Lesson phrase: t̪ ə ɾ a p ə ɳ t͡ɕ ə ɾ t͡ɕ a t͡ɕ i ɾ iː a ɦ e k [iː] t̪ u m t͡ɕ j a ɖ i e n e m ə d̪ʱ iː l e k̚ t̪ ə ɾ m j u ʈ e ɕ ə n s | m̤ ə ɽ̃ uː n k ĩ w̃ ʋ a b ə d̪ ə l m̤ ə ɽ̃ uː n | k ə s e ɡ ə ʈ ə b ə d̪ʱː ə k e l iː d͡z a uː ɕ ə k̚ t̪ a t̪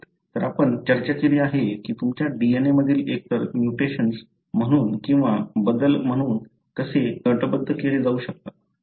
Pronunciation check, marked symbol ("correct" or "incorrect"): correct